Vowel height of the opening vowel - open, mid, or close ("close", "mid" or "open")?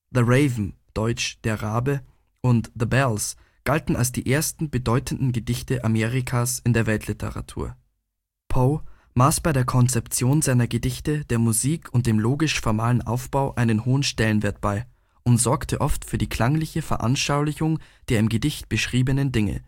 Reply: mid